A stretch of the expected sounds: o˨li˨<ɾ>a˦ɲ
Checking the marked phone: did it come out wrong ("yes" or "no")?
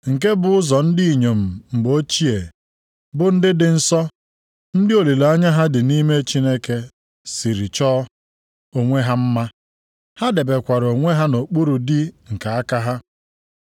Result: yes